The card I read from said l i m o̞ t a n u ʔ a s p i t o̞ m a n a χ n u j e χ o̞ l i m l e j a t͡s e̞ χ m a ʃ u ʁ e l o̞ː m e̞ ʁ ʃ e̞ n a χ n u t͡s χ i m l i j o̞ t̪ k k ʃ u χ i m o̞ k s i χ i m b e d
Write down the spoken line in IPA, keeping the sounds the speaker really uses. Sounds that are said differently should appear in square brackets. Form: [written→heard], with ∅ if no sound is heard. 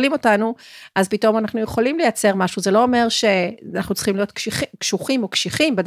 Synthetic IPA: l i m o̞ t a n u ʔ a [s→z] p i t o̞ m a n a χ n u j e χ o̞ l i m l e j a t͡s e̞ [χ→ʁ] m a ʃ u [ʁ→z] e l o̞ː m e̞ ʁ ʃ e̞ n a χ n u t͡s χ i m l i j o̞ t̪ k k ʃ u χ i m o̞ k [s→ʃ] i χ i m b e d